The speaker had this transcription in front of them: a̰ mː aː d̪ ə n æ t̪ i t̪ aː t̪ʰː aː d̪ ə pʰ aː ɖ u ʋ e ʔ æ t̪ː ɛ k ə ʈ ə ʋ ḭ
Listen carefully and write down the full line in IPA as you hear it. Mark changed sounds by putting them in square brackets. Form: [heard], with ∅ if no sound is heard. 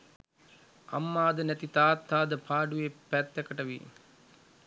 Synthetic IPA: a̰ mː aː d̪ ə n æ t̪ i t̪ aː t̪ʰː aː d̪ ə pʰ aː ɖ u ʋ e [p] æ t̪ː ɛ k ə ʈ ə ʋ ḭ